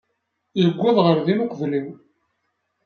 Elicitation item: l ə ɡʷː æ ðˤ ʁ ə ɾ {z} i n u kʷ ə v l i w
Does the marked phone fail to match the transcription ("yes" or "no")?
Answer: yes